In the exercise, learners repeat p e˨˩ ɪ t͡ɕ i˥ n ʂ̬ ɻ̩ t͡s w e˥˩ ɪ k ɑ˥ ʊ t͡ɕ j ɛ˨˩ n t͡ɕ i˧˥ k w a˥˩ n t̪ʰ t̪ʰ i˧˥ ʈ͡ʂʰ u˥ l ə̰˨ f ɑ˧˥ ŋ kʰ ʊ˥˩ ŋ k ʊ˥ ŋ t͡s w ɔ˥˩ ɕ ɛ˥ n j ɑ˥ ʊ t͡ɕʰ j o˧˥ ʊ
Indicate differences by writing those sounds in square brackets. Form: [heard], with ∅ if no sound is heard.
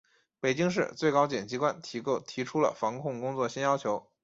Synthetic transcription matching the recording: p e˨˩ ɪ t͡ɕ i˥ [ŋ] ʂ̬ ɻ̩ t͡s w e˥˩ ɪ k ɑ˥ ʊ t͡ɕ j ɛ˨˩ n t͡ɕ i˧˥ k w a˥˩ n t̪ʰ t̪ʰ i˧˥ ʈ͡ʂʰ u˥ l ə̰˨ f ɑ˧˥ ŋ kʰ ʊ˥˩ ŋ k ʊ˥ ŋ t͡s w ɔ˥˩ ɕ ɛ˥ n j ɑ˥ ʊ t͡ɕʰ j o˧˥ ʊ